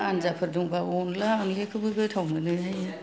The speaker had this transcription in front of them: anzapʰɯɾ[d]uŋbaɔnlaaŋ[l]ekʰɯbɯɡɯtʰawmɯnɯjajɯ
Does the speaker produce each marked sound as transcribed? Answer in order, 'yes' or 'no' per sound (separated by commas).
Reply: yes, yes